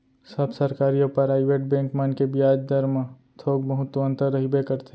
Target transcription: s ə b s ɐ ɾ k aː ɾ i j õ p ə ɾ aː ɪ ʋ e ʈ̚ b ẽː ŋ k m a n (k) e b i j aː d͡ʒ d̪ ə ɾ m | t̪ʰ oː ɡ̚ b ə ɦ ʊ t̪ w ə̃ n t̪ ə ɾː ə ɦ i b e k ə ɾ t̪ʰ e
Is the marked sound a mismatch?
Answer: no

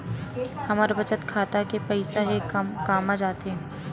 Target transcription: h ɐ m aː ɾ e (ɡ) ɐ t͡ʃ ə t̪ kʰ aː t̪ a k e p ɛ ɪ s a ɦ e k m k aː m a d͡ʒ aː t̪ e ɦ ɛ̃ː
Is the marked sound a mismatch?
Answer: yes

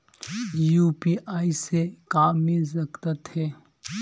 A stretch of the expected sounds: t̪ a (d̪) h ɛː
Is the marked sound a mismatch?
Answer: yes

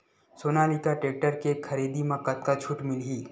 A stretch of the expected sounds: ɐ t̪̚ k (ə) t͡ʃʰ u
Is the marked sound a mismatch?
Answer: yes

